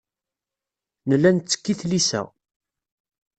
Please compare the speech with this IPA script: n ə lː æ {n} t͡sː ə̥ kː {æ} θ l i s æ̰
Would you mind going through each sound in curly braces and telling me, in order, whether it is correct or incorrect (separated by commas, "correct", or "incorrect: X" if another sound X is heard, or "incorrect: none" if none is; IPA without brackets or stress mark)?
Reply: correct, incorrect: i